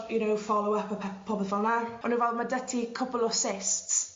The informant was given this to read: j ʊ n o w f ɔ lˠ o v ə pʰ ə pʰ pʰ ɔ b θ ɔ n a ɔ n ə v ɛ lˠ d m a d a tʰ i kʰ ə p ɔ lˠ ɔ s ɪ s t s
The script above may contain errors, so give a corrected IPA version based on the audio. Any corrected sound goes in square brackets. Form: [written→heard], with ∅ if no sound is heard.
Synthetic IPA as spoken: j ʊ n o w f ɔ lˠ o [v→w] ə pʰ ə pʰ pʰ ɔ b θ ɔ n a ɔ n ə v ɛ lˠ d m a d [a→ə] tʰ i kʰ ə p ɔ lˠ ɔ s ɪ s t s